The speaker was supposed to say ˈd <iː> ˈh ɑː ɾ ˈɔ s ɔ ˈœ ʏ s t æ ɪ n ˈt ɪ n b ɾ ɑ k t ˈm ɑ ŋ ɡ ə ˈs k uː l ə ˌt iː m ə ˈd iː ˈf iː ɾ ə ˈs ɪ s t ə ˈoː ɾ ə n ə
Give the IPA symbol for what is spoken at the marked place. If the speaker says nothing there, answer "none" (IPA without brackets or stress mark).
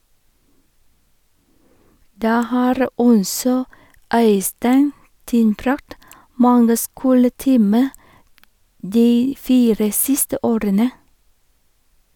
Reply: æː